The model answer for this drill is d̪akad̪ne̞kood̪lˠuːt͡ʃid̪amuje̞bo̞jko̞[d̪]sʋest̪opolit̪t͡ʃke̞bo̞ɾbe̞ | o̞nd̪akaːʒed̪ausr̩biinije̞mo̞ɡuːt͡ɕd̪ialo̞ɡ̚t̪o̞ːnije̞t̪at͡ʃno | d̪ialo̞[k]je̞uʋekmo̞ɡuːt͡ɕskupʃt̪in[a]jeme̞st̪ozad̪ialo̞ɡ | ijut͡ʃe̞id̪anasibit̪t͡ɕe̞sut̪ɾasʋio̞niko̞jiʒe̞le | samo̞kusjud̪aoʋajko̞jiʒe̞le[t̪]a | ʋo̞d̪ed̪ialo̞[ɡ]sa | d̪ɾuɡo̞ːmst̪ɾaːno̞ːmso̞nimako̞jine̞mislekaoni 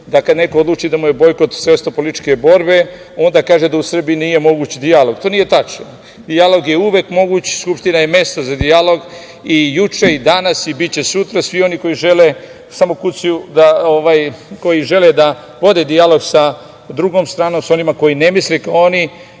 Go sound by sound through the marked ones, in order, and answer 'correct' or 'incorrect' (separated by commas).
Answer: incorrect, incorrect, correct, incorrect, correct